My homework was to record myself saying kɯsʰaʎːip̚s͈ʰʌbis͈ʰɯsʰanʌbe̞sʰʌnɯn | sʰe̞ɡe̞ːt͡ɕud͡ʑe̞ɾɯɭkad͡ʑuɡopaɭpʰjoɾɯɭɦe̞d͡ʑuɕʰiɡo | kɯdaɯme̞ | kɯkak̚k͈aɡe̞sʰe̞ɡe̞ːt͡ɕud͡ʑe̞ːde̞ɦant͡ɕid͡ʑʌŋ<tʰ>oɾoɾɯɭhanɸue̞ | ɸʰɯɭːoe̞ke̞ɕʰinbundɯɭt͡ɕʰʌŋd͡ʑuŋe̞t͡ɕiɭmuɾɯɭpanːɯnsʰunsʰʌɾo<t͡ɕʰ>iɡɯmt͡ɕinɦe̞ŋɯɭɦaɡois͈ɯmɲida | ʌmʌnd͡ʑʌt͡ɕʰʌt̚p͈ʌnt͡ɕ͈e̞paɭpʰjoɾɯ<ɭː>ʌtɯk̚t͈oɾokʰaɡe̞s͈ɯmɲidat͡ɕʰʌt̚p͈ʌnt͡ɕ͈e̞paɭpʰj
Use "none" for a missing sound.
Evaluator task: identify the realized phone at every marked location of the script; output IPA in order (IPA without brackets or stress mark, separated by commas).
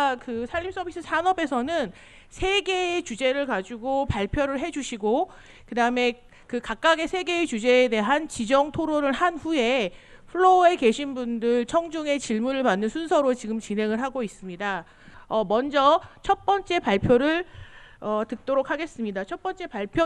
tʰ, t͡ɕ, ɭ